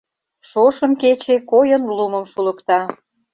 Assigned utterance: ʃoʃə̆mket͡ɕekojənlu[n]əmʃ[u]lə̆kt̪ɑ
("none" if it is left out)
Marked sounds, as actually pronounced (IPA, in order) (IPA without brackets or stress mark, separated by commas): m, u